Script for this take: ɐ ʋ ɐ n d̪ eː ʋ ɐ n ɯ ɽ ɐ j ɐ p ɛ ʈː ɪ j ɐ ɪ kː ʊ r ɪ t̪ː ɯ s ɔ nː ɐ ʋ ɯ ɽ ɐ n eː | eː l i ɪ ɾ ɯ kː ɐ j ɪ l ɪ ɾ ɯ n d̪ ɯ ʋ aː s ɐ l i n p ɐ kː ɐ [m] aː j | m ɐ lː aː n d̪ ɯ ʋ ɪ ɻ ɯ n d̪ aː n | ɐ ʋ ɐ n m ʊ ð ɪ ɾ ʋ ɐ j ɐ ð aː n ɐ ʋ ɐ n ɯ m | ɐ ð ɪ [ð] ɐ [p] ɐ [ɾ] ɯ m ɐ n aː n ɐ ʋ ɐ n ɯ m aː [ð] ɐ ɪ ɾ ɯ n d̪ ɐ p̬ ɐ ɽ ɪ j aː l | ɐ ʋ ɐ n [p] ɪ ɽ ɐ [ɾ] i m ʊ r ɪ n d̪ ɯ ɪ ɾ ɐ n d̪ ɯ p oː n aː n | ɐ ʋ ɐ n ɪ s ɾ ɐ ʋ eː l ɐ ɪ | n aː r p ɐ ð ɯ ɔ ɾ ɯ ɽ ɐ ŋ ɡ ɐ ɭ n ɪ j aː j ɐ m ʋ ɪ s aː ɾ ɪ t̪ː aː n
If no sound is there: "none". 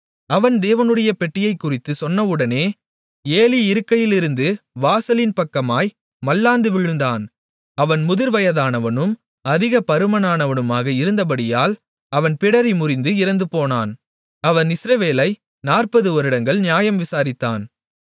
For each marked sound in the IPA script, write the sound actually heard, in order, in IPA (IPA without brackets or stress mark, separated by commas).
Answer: m, ɣ, p, ɾ, ɣ, p, ɾ